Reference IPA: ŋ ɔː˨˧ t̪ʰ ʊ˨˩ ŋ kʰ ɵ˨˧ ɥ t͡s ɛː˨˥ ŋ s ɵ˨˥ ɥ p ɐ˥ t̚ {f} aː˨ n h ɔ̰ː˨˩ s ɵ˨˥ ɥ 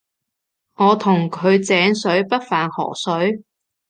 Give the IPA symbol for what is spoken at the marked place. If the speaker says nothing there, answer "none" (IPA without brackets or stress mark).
f